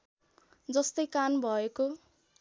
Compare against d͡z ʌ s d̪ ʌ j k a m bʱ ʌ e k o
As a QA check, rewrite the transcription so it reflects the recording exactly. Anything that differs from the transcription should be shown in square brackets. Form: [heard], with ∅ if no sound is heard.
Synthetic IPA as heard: d͡z ʌ s [t̪] ʌ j k a [n] bʱ ʌ e k o

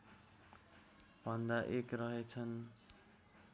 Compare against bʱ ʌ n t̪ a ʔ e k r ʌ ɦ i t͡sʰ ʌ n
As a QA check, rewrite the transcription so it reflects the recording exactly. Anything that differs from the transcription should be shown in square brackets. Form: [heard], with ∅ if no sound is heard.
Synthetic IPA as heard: bʱ ʌ n [d̪] a ʔ e k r ʌ ɦ [e] t͡sʰ ʌ n

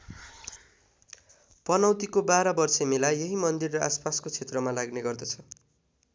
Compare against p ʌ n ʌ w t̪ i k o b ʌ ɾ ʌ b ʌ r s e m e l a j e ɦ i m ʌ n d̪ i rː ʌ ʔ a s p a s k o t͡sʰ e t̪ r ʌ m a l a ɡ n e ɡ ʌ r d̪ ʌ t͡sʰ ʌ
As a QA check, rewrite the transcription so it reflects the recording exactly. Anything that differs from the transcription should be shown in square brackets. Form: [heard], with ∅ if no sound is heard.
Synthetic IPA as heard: p ʌ n ʌ w t̪ i k o b [a] ɾ ʌ b ʌ r s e m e l a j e ɦ i m ʌ n d̪ i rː ʌ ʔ a s p a s k o t͡sʰ e t̪ r ʌ m a l a ɡ n e ɡ ʌ r d̪ ʌ t͡sʰ ʌ

